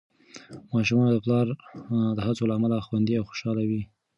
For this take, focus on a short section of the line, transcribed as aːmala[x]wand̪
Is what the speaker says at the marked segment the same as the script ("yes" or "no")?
yes